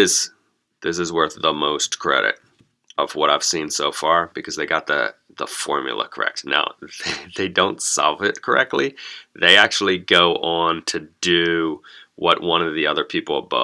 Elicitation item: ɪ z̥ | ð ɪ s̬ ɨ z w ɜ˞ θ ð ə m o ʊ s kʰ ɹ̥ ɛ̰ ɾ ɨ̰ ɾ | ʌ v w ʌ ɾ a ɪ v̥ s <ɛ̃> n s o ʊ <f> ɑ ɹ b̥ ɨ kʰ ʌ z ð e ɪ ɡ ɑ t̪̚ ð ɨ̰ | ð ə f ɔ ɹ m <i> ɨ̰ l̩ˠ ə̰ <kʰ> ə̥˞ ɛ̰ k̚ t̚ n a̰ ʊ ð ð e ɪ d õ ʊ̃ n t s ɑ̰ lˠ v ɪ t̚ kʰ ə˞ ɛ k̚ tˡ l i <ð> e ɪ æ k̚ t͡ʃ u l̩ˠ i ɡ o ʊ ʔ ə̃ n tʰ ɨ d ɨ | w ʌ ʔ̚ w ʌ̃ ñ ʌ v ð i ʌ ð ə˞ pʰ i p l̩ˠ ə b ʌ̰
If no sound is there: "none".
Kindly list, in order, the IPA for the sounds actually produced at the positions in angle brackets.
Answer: ĩ, f, j, kʰ, ð

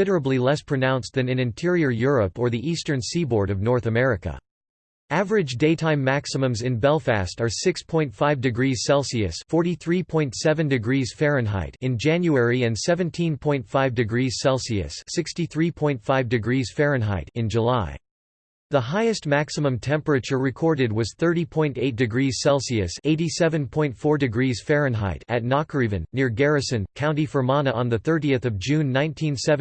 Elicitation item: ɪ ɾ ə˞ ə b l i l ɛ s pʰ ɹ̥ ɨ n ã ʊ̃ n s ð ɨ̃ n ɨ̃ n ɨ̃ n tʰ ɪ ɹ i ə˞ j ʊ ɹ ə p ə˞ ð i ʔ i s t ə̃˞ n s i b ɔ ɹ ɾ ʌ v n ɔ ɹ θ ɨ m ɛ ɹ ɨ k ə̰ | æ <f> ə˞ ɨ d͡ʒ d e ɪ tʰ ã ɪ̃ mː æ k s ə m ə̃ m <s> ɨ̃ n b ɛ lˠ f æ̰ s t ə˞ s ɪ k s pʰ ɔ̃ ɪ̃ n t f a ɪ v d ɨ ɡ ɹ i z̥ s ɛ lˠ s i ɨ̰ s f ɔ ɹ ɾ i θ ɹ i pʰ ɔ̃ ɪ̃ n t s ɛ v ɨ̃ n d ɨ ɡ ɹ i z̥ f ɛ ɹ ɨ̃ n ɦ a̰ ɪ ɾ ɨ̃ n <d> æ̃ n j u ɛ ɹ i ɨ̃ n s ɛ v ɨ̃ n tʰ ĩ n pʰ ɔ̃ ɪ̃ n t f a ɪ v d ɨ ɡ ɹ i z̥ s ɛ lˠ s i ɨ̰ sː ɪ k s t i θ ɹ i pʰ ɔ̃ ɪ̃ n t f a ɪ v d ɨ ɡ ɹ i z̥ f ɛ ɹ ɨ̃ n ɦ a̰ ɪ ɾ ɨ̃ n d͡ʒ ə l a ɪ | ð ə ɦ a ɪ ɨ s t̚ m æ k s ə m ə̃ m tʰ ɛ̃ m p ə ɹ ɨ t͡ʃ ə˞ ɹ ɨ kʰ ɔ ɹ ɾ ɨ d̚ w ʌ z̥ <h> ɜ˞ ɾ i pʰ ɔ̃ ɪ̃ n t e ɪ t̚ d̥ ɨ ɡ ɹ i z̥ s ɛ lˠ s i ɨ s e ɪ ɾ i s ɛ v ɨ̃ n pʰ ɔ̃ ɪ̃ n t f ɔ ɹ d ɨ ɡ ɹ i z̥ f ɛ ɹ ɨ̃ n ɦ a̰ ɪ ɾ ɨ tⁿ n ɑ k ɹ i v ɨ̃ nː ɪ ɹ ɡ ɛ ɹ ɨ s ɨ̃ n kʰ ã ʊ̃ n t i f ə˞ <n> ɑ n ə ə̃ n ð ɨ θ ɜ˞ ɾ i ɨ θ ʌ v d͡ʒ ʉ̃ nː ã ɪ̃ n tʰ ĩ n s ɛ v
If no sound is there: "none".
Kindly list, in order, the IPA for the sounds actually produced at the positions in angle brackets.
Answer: v, z, d͡ʒ, θ, m

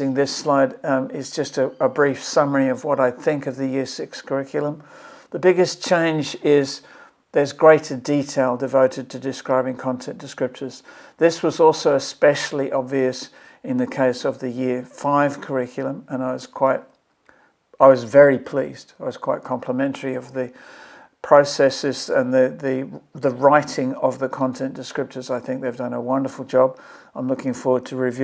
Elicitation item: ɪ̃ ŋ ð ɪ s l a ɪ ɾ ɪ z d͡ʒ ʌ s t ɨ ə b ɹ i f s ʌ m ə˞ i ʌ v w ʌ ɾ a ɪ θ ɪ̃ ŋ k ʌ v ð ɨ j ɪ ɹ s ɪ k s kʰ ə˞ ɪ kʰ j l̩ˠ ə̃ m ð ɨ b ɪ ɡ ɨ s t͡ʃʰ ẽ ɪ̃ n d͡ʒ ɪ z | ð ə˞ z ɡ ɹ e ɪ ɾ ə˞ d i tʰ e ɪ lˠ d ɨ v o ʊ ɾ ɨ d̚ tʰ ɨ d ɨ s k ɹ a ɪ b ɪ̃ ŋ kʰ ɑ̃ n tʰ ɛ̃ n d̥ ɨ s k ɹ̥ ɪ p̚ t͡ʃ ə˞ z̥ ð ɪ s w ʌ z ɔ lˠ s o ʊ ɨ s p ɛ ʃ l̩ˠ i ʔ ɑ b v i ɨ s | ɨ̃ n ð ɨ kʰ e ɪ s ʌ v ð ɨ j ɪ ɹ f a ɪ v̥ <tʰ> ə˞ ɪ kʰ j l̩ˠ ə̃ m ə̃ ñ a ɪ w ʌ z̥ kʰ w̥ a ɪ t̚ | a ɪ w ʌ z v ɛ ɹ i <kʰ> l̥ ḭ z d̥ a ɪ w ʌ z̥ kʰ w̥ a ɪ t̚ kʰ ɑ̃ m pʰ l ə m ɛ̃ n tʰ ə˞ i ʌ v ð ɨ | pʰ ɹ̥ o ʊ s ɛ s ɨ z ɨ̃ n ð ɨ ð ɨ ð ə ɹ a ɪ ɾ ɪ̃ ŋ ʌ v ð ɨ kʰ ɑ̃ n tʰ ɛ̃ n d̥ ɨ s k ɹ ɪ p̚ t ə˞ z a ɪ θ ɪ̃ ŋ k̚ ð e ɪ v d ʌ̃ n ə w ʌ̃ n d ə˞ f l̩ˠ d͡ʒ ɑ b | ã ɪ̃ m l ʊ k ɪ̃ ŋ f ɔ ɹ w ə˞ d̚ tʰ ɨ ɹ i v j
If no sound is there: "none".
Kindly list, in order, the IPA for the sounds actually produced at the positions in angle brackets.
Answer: kʰ, pʰ

